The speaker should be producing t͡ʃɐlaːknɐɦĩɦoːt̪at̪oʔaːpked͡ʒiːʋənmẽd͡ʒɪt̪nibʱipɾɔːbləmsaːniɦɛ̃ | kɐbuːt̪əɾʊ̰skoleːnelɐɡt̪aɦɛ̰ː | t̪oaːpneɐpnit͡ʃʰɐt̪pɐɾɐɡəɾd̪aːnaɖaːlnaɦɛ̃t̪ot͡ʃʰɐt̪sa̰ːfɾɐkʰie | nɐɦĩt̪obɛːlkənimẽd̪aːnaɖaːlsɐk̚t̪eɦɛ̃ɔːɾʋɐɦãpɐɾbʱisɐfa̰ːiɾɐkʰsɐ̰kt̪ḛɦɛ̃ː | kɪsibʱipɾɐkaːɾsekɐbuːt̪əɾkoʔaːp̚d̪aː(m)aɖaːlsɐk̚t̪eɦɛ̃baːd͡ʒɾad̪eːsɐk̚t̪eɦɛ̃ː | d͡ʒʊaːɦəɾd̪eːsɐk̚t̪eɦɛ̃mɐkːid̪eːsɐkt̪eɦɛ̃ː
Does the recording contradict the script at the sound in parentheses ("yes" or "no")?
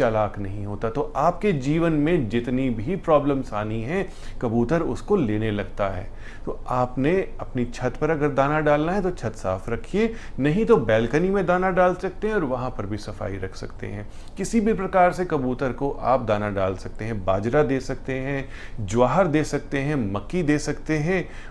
yes